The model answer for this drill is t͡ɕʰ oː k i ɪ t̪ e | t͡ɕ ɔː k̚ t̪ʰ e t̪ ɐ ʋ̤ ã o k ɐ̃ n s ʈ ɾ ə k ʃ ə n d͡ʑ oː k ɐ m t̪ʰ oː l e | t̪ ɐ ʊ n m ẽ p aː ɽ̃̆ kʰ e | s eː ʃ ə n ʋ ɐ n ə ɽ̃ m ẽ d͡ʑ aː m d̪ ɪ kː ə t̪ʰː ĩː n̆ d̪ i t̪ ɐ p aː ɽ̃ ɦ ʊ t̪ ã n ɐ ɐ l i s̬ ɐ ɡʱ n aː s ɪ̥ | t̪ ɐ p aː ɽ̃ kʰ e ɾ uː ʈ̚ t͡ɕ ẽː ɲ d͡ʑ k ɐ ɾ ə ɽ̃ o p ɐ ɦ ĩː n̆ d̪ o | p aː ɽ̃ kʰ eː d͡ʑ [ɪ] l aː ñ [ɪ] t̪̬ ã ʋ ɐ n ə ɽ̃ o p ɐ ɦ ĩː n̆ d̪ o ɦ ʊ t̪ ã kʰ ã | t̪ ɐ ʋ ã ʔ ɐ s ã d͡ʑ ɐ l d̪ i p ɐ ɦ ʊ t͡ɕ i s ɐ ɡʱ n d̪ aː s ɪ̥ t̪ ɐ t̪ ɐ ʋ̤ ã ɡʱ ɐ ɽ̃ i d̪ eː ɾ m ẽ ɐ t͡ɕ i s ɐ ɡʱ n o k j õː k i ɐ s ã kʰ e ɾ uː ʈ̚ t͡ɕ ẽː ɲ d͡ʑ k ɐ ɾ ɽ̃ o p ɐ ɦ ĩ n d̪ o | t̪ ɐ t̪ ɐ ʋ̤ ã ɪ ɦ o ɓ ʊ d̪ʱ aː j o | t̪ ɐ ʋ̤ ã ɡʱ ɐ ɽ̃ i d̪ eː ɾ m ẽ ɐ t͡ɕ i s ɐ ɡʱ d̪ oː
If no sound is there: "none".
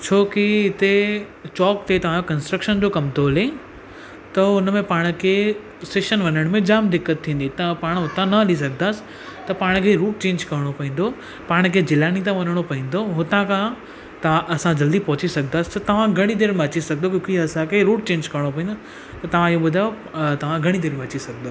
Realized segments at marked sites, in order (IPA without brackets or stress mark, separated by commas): ɪ, i